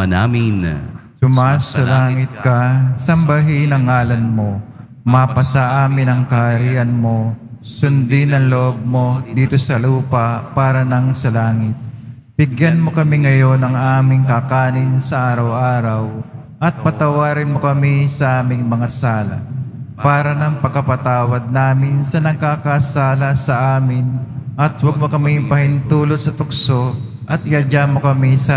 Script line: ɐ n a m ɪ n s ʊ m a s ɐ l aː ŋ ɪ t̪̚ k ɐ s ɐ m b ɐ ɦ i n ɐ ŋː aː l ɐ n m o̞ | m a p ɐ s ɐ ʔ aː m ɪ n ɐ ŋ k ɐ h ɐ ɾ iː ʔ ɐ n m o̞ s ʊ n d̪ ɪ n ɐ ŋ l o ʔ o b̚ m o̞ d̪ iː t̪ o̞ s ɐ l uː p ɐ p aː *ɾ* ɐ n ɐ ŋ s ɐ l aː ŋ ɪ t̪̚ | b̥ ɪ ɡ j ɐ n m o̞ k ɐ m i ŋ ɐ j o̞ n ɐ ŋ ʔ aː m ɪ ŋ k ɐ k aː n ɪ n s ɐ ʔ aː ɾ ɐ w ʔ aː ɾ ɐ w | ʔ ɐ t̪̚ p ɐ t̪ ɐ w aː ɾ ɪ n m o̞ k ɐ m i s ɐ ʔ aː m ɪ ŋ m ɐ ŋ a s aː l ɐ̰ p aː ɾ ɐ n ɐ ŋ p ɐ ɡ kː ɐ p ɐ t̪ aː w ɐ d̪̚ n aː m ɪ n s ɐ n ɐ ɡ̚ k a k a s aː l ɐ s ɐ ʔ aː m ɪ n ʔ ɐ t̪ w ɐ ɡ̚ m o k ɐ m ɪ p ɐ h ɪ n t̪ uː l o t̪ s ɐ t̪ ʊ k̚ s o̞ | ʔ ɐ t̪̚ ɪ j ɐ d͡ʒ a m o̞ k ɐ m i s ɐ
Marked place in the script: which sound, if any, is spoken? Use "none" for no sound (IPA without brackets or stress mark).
ɾ